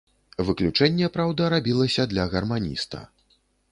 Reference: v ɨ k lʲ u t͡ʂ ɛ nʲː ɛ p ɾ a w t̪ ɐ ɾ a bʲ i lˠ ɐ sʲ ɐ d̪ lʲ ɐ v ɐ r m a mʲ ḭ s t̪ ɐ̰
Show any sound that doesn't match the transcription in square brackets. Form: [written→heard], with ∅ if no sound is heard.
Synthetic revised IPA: v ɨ k lʲ u t͡ʂ ɛ nʲː ɛ p ɾ a w [t̪→d̪] ɐ ɾ a bʲ i lˠ ɐ sʲ ɐ d̪ lʲ ɐ [v→ɣ] ɐ r m a [mʲ→nʲ] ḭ s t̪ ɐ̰